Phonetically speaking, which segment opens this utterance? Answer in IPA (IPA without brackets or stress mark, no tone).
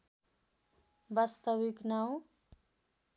b